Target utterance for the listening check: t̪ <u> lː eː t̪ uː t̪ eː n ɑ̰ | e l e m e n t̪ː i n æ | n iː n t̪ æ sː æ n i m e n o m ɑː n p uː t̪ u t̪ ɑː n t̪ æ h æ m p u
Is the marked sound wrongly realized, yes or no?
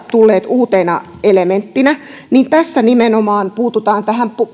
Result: no